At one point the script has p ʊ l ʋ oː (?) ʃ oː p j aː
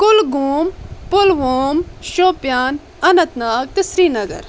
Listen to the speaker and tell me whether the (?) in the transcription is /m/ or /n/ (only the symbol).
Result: m